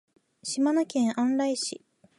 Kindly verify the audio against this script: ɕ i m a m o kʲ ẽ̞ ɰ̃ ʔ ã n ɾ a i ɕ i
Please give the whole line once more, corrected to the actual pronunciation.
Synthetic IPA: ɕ i m a n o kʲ ẽ̞ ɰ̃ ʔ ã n ɾ a i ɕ i